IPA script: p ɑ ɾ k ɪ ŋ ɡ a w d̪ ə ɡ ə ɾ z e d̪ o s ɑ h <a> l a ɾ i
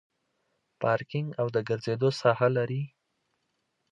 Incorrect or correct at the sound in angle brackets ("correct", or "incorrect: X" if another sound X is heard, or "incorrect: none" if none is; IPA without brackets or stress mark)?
correct